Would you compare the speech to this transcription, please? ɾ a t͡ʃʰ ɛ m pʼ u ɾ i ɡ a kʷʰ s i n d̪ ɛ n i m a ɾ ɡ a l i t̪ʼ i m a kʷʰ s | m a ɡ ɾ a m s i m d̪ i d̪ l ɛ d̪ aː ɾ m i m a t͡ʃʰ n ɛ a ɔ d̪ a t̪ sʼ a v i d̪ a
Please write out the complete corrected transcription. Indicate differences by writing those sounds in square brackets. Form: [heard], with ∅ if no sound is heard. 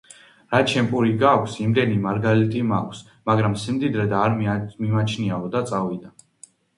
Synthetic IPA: ɾ a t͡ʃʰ ɛ m pʼ u ɾ i ɡ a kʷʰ s i [m] d̪ ɛ n i m a ɾ ɡ a l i t̪ʼ i m a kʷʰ s | m a ɡ ɾ a m s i m d̪ i d̪ [ɾ] ɛ d̪ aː ɾ m i m a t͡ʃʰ n [i] a ɔ d̪ a t̪ sʼ a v i d̪ a